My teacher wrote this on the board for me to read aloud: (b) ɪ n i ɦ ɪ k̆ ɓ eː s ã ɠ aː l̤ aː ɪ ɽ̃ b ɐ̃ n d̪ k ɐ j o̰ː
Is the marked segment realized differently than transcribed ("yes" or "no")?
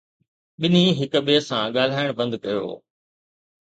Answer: yes